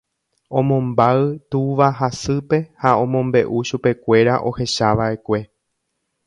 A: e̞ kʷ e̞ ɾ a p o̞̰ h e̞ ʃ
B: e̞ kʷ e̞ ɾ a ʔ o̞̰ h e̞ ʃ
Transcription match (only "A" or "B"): B